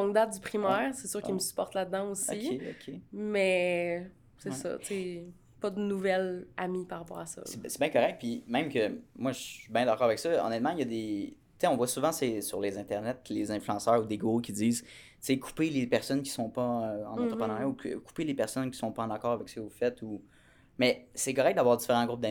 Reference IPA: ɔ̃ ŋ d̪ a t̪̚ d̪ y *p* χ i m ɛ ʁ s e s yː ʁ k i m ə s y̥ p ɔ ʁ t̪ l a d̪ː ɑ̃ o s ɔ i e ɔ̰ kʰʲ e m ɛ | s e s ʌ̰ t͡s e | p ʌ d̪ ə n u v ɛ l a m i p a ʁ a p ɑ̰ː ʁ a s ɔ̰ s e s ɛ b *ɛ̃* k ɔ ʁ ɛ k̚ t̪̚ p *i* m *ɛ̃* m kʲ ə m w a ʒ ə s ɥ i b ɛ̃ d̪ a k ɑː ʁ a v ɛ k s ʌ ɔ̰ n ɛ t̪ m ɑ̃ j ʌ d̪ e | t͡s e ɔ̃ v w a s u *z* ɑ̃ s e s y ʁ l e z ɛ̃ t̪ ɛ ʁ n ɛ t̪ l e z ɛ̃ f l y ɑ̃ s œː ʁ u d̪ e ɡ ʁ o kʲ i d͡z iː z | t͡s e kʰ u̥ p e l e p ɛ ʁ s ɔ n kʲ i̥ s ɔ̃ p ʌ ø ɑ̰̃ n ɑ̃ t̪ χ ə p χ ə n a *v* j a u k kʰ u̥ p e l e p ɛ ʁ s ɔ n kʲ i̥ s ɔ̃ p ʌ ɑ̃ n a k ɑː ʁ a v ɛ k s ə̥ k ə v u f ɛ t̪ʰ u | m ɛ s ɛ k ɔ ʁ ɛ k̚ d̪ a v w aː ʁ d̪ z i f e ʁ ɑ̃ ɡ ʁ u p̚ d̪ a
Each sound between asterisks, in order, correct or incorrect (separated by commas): correct, correct, correct, correct, incorrect, incorrect